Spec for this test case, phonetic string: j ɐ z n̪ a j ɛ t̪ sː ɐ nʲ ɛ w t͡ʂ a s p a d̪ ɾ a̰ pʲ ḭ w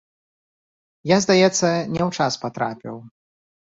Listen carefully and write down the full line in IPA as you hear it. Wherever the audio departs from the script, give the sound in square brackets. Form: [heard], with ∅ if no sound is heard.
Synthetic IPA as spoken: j [a] z [d̪] a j ɛ t̪ sː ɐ nʲ ɛ w t͡ʂ a s p a [t̪] ɾ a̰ pʲ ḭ w